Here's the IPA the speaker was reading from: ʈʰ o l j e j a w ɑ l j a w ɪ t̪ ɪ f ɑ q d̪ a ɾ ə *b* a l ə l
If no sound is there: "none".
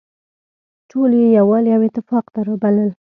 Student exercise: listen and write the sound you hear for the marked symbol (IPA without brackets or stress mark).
b